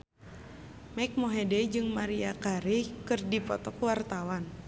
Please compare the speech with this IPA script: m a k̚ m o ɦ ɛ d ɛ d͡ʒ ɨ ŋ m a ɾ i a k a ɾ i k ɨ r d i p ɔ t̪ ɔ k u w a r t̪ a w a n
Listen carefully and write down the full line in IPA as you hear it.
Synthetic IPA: m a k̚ m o ɦ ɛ d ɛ d͡ʒ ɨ ŋ m a ɾ i a k a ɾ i k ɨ r d i p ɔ t̪ ɔ k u w a r t̪ a w a n